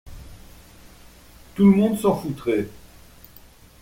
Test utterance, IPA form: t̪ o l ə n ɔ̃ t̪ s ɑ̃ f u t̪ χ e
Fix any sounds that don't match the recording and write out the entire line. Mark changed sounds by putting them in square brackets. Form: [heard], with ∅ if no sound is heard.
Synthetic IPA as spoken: t̪ [u] l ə [m] ɔ̃ [d̪] s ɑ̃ f u t̪ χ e

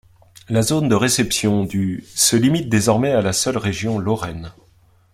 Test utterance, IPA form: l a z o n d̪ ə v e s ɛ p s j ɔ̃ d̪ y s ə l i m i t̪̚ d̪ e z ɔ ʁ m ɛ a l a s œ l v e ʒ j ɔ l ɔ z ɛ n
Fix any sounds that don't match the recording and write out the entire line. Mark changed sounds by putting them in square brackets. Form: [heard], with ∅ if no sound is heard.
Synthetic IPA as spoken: l a z o n d̪ ə [ʁ] e s ɛ p s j ɔ̃ d̪ y s ə l i m i t̪̚ d̪ e z ɔ ʁ m ɛ a l a s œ l [ʁ] e ʒ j [ɔ̃] l ɔ [ʁ] ɛ n

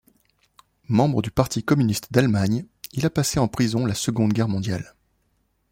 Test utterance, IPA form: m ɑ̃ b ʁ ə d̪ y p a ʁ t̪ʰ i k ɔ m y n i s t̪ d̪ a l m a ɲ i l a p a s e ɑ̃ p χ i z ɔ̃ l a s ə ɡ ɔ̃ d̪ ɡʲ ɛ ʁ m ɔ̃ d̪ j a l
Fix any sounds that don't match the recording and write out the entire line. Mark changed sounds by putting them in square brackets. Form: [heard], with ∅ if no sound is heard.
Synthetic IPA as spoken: m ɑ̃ b ʁ ə d̪ y p a ʁ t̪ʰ i k ɔ m y n i s t̪ d̪ a l m a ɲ i l a p a s e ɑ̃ p χ i z ɔ̃ l a s ə ɡ ɔ̃ d̪ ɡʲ ɛ ʁ m ɔ̃ d̪ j a l

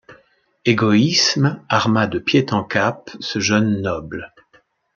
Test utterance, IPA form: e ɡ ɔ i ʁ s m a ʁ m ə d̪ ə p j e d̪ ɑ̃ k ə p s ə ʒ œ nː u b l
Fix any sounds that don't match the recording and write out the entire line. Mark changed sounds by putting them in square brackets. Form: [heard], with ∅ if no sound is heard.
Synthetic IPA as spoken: e ɡ ɔ i [∅] s m a ʁ m [a] d̪ ə p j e [t̪] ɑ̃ k [a] p s ə ʒ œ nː [ɔ] b l

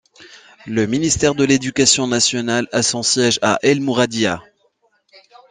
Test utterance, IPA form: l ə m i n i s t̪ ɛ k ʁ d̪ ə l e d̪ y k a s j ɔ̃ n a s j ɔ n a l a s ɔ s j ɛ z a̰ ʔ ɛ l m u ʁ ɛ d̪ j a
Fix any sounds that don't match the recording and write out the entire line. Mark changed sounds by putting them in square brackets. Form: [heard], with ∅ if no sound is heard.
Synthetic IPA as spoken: l ə m i n i s t̪ ɛ [∅] ʁ d̪ ə l e d̪ y k a s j ɔ̃ n a s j ɔ n a l a s [ɔ̃] s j ɛ [ʒ] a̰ ʔ ɛ l m u ʁ [a] d̪ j a

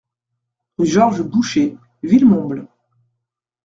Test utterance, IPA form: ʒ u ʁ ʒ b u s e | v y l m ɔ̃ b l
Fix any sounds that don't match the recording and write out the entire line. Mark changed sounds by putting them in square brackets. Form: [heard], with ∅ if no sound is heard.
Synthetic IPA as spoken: ʒ [ɔ] ʁ ʒ b u [ʃ] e | v [i] l m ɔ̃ b l

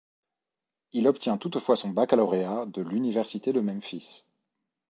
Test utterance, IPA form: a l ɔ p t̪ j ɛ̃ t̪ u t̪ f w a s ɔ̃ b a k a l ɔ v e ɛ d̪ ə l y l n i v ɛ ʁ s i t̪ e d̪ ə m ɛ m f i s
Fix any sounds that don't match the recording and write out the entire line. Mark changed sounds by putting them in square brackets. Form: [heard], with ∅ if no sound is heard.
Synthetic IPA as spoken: [i] l ɔ p t̪ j ɛ̃ t̪ u t̪ f w a s ɔ̃ b a k a l ɔ [ʁ] e [a] d̪ ə l y [∅] n i v ɛ ʁ s i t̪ e d̪ ə m ɛ m f i s

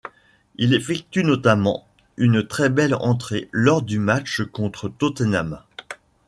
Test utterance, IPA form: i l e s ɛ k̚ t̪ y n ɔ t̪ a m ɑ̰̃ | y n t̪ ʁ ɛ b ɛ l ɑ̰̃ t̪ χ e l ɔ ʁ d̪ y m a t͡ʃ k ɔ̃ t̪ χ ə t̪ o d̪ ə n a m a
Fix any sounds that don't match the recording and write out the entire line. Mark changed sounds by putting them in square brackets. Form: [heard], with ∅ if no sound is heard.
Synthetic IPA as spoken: i l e [f] ɛ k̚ t̪ y n ɔ t̪ a m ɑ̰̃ | y n t̪ [χ] ɛ b ɛ l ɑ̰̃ t̪ χ e l ɔ ʁ d̪ y m a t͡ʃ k ɔ̃ t̪ χ ə t̪ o [t̪] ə n a m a

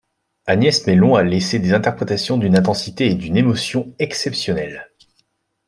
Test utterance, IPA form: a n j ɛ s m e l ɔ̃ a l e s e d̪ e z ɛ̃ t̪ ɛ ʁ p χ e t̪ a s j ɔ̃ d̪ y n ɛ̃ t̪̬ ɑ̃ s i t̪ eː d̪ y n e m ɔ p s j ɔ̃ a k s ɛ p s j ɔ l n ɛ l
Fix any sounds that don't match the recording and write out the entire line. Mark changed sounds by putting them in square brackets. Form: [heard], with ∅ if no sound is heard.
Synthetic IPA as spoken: a n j ɛ s m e l ɔ̃ a l e s e d̪ e z ɛ̃ t̪ ɛ ʁ p χ e t̪ a s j ɔ̃ d̪ y n ɛ̃ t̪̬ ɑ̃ s i t̪ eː d̪ y n e m ɔ [∅] s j ɔ̃ [ɛ] k s ɛ p s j ɔ [∅] n ɛ l

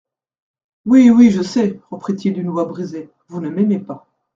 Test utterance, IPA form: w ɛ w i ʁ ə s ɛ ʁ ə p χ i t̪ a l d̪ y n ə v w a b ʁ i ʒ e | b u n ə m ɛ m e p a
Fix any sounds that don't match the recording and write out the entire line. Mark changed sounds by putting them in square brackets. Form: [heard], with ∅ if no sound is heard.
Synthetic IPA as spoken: w [i] w i [ʒ] ə s ɛ ʁ ə p χ i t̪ [i] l d̪ y n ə v w a b ʁ i [z] e | [v] u n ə m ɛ m e p a

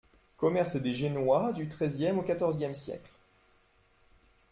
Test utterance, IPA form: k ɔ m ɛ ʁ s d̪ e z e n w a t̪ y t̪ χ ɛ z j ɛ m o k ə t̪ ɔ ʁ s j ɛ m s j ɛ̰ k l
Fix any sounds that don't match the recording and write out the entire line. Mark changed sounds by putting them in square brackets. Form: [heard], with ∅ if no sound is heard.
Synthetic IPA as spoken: k ɔ m ɛ ʁ s d̪ e [ʒ] e n w a [d̪] y t̪ χ ɛ z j ɛ m o k [a] t̪ ɔ ʁ [z] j ɛ m s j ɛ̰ k l

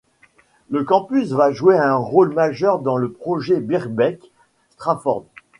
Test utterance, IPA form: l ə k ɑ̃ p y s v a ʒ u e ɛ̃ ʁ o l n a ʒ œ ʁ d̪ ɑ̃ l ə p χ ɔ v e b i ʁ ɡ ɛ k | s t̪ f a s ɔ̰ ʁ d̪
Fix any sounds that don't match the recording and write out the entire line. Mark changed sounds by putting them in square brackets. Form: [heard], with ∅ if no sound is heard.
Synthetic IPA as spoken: l ə k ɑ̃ p y s v a ʒ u e ɛ̃ ʁ o l [m] a ʒ œ ʁ d̪ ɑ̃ l ə p χ ɔ [ʒ] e b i ʁ [b] ɛ k | s t̪ [χ] a [f] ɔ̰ ʁ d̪

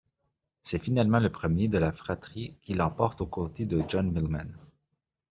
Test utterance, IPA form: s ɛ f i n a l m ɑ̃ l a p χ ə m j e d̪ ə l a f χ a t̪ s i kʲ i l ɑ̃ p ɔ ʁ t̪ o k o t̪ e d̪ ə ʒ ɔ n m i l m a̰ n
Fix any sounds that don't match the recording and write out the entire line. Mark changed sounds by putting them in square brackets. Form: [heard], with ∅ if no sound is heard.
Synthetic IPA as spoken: s ɛ f i n a l m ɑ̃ l [ə] p χ ə m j e d̪ ə l a f χ a t̪ [χ] i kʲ i l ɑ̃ p ɔ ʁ t̪ o k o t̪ e d̪ ə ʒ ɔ n m i l m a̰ n

